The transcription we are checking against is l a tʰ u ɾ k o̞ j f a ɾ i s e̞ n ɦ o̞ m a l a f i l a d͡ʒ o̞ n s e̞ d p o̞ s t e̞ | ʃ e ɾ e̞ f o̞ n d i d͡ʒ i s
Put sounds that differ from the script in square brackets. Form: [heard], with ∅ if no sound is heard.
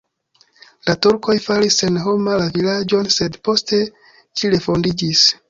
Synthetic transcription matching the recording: l a [t] u ɾ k o̞ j f a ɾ i s e̞ n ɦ o̞ m a l a [v] i l a d͡ʒ o̞ n s e̞ d p o̞ s t e̞ | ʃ [i] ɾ e̞ f o̞ n d i d͡ʒ i s